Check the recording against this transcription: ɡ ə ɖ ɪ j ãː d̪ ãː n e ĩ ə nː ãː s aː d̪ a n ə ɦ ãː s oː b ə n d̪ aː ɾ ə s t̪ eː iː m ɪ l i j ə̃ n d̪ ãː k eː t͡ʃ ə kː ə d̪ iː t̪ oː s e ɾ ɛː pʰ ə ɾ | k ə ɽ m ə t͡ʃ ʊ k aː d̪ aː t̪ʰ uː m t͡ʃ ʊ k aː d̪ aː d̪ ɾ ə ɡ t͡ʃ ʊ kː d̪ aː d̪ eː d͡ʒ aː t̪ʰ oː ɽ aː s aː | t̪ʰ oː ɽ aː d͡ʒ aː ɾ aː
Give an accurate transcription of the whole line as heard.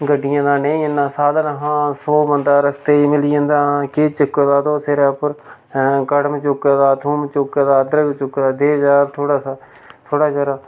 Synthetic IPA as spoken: ɡ ə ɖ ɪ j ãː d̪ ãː n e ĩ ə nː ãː s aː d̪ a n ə ɦ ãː s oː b ə n d̪ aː ɾ ə s t̪ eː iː m ɪ l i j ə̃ n d̪ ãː k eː t͡ʃ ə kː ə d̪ aː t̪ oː s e ɾ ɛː p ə ɾ | k ə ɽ m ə t͡ʃ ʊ k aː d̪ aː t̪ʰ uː m t͡ʃ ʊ k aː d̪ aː d̪ ɾ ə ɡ t͡ʃ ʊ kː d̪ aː d̪ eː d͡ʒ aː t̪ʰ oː ɽ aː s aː | t̪ʰ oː ɽ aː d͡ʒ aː ɾ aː